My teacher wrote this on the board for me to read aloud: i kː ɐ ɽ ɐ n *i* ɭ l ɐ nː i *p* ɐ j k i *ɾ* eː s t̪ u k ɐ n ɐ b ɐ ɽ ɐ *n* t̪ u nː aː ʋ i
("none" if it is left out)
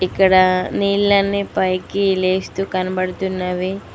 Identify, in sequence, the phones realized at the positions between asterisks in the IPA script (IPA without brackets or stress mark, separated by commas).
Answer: iː, p, l, none